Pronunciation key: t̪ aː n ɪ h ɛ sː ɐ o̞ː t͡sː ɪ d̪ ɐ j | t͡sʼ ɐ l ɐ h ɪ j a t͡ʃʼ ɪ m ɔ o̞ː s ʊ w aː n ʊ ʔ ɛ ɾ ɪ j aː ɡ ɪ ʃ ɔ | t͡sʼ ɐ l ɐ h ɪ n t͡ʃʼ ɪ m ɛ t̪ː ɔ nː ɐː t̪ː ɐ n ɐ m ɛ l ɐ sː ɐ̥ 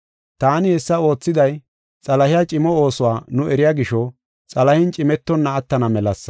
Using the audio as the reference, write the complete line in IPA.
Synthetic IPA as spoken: t̪ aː n ɪ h ɛ sː ɐ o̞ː t͡sː ɪ d̪ ɐ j | t͡sʼ ɐ l ɐ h ɪ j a t͡ʃʼ ɪ m ɔ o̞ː s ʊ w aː n ʊ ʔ ɛ ɾ ɪ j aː ɡ ɪ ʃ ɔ | t͡sʼ ɐ l ɐ h ɪ n t͡ʃʼ ɪ m ɛ t̪ː ɔ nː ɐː t̪ː ɐ n ɐ m ɛ l ɐ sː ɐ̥

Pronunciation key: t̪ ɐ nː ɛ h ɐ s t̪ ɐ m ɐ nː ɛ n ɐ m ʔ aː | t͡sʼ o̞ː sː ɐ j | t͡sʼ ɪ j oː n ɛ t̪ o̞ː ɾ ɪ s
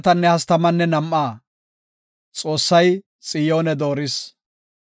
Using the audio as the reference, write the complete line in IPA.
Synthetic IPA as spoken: t̪ ɐ nː ɛ h ɐ s t̪ ɐ m ɐ nː ɛ n ɐ m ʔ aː | t͡sʼ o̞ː sː ɐ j | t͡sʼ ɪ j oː n ɛ d̪ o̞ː ɾ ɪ s

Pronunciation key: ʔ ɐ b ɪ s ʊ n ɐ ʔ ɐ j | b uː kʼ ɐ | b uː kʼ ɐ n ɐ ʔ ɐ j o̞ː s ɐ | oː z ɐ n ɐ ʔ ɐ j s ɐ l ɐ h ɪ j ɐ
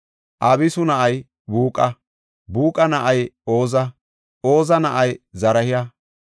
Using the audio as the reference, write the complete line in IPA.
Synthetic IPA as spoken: ʔ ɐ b ɪ s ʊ n ɐ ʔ ɐ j | b uː kʼ ɐ | b uː kʼ ɐ n ɐ ʔ ɐ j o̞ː z ɐ | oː z ɐ n ɐ ʔ ɐ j z ɐ ɾ ɐ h ɪ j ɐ

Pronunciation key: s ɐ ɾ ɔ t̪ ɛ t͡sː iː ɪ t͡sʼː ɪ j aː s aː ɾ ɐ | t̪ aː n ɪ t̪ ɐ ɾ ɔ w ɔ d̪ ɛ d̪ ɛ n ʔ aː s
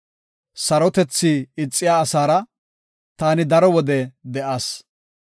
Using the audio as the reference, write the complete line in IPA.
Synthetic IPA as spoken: s ɐ ɾ ɔ t̪ ɛ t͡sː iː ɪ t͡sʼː ɪ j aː s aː ɾ ɐ | t̪ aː n ɪ d̪ ɐ ɾ ɔ w ɔ d̪ ɛ d̪ ɛ ʔ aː s

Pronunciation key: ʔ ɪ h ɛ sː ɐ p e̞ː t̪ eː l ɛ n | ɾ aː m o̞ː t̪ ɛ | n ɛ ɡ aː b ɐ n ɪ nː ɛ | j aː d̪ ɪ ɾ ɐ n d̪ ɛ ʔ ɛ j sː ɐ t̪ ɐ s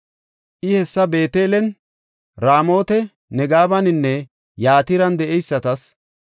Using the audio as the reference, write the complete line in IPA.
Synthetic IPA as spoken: ʔ ɪ h ɛ sː ɐ b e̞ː t̪ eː l ɛ n | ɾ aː m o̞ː t̪ ɛ | n ɛ ɡ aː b ɐ n ɪ nː ɛ | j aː t̪ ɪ ɾ ɐ n d̪ ɛ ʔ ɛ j sː ɐ t̪ ɐ s

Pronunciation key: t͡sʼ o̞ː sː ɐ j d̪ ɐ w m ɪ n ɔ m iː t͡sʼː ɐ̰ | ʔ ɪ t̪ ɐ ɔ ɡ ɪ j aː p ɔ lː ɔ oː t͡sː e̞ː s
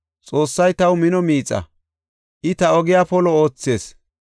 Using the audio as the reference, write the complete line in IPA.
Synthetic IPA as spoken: t͡sʼ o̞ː sː ɐ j t̪ ɐ w m ɪ n ɔ m iː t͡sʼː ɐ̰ | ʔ ɪ t̪ ɐ ɔ ɡ ɪ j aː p ɔ l ɔ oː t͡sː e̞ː s

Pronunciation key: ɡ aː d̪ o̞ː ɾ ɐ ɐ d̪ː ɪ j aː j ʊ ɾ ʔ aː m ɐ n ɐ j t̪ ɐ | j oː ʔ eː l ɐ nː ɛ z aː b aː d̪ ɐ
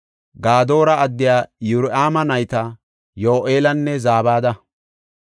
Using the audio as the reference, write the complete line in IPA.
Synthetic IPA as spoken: ɡ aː d̪ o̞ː ɾ ɐ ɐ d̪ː ɪ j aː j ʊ ɾ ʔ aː m ɐ n ɐ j t̪ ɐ | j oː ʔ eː l ɐ nː ɛ z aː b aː d̪ ɐ

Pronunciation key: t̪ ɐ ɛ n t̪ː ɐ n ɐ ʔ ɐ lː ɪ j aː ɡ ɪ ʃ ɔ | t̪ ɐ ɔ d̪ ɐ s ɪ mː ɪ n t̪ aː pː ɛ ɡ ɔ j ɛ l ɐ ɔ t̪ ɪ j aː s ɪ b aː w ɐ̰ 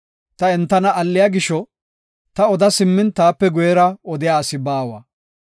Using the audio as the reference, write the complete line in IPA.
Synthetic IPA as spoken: t̪ ɐ ɛ n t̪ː ɐ n ɐ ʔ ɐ lː ɪ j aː ɡ ɪ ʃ ɔ | t̪ ɐ ɔ d̪ ɐ s ɪ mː ɪ n t̪ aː pː ɛ ɡ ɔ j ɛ ɾ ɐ ɔ d̪ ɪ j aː s ɪ b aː w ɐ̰

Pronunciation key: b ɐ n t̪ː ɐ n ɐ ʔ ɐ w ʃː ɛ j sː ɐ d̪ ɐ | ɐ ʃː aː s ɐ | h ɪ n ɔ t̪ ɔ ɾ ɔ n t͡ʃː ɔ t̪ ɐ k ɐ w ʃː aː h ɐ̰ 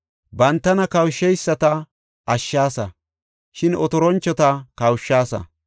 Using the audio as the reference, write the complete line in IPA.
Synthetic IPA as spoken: b ɐ n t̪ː ɐ n ɐ k ɐ w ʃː ɛ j sː ɐ t̪ ɐ | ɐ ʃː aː s ɐ | ʃ ɪ n ɔ t̪ ɔ ɾ ɔ n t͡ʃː ɔ t̪ ɐ k ɐ w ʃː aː s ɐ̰

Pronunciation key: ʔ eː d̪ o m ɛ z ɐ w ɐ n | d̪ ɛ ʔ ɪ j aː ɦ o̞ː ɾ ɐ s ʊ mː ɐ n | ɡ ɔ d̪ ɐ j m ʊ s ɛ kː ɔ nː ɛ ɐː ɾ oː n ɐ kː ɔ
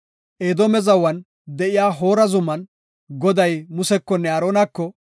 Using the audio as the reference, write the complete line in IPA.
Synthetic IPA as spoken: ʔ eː d̪ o m ɛ z ɐ w ɐ n | d̪ ɛ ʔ ɪ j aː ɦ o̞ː ɾ ɐ z ʊ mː ɐ n | ɡ ɔ d̪ ɐ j m ʊ s ɛ kː ɔ nː ɛ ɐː ɾ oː n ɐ kː ɔ

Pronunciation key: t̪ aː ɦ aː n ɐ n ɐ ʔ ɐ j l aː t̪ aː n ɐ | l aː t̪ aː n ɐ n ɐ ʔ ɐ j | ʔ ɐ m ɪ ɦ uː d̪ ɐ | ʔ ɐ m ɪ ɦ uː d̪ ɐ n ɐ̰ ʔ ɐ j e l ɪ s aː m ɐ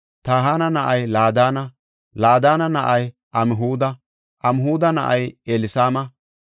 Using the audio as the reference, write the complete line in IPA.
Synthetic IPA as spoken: t̪ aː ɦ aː n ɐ n ɐ ʔ ɐ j l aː d̪ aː n ɐ | l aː d̪ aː n ɐ n ɐ ʔ ɐ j | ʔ ɐ m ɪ ɦ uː d̪ ɐ | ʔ ɐ m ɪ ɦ uː d̪ ɐ n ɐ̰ ʔ ɐ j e l ɪ s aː m ɐ

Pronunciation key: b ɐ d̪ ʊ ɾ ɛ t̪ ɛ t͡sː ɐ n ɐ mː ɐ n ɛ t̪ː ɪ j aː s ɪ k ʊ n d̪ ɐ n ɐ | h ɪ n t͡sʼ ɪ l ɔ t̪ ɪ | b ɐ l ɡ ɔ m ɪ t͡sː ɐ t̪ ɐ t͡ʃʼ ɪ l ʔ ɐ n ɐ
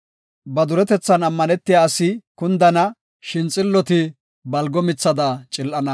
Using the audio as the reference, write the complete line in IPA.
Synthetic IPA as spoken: b ɐ d̪ ʊ ɾ ɛ t̪ ɛ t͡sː ɐ n ɐ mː ɐ n ɛ t̪ː ɪ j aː s ɪ k ʊ n d̪ ɐ n ɐ | ʃ ɪ n t͡sʼ ɪ lː ɔ t̪ ɪ | b ɐ l ɡ ɔ m ɪ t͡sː ɐ d̪ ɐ t͡ʃʼ ɪ l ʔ ɐ n ɐ

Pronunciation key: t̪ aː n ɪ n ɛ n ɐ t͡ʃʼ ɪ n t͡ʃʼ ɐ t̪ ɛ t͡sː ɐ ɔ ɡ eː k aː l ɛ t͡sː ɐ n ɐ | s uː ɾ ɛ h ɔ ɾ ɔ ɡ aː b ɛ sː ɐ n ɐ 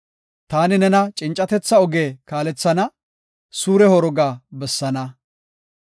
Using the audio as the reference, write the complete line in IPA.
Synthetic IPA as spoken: t̪ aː n ɪ n ɛ n ɐ t͡ʃʼ ɪ n t͡ʃʼ ɐ t̪ ɛ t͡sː ɐ ɔ ɡ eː k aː l ɛ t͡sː ɐ n ɐ | s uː ɾ ɛ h ɔ ɾ ɔ ɡ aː b ɛ sː ɐ n ɐ

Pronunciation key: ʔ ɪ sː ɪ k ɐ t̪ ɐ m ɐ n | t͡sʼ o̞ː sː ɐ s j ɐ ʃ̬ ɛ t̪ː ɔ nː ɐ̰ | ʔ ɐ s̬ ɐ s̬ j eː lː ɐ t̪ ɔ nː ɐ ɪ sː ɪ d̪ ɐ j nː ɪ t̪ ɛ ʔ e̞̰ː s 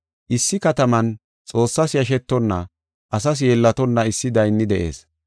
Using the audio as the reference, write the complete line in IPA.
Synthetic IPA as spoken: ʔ ɪ sː ɪ k ɐ t̪ ɐ m ɐ n | t͡sʼ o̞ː sː ɐ s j ɐ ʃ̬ ɛ t̪ː ɔ nː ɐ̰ | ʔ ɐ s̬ ɐ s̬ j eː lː ɐ t̪ ɔ nː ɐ ɪ sː ɪ d̪ ɐ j nː ɪ d̪ ɛ ʔ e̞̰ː s

